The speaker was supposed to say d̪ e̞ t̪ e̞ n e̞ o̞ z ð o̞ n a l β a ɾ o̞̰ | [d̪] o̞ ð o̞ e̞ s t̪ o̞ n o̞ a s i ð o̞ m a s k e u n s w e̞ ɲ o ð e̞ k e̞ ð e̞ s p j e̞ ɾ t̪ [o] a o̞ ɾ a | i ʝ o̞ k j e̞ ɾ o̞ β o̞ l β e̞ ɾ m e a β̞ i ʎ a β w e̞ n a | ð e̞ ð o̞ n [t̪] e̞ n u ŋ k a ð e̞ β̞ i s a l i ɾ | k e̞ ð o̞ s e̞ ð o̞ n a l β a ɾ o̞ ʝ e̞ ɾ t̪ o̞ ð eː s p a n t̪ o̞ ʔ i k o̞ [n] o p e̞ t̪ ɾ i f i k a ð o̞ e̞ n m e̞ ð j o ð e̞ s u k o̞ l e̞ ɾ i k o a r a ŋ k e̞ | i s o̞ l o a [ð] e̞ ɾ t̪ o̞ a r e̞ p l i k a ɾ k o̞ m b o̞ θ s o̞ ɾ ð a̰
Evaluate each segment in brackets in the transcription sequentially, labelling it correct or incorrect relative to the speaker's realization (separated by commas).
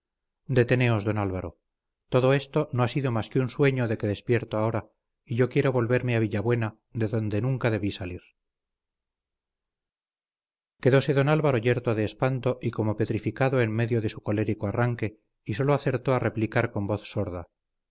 incorrect, correct, incorrect, incorrect, incorrect